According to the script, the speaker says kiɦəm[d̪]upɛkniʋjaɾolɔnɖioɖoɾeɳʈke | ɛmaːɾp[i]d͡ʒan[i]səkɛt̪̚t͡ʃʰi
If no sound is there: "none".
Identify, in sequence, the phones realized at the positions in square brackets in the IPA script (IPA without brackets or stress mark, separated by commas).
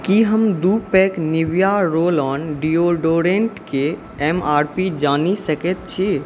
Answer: d̪, i, i